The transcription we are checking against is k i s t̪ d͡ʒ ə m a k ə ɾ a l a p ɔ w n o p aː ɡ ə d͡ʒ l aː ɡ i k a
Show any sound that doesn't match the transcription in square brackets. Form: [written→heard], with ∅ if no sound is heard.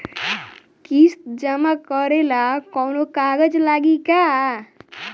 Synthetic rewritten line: k i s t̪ d͡ʒ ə m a k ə ɾ [a→e] l a [p→k] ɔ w n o [p→k] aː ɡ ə d͡ʒ l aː ɡ i k a